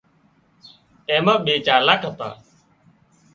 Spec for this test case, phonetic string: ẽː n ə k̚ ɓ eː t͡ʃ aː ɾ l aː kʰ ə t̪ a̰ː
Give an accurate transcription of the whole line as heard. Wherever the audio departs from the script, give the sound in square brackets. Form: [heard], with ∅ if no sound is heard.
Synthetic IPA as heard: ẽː [m] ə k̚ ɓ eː t͡ʃ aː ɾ l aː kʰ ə t̪ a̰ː